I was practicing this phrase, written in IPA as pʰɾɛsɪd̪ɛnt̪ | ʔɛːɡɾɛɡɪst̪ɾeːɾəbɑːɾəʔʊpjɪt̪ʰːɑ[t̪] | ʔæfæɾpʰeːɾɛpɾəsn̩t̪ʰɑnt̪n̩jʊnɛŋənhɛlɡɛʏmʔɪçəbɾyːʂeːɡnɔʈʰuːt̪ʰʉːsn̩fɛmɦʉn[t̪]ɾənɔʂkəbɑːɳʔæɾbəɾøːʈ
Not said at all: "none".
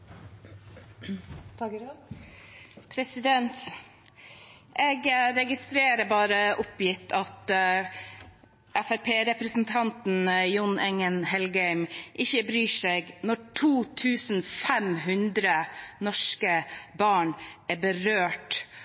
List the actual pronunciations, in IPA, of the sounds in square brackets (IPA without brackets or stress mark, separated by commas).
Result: t̪, d̪